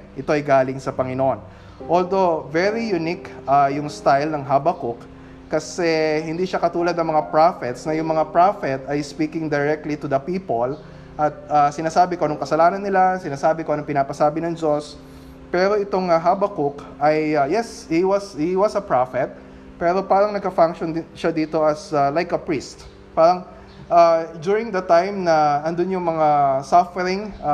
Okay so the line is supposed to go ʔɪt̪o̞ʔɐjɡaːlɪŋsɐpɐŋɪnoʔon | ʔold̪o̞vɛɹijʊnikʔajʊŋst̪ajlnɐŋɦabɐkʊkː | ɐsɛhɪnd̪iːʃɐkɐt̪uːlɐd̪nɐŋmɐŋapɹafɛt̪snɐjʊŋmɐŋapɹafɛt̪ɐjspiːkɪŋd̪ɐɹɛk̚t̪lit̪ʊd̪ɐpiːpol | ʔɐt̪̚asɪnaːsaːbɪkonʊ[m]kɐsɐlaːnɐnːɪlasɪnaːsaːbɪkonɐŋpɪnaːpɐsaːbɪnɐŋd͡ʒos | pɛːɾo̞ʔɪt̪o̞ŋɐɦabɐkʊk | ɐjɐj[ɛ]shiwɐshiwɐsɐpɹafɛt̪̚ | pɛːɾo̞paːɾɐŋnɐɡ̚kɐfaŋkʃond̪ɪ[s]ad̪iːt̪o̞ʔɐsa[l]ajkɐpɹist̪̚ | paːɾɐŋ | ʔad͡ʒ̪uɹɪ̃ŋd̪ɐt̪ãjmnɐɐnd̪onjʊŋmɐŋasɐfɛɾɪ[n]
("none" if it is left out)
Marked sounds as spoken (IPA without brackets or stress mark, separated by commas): ŋ, ɛ, ʃ, l, ŋ